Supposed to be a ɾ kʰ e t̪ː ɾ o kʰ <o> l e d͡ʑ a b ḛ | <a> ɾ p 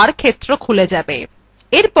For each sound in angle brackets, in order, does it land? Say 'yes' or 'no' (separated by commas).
no, no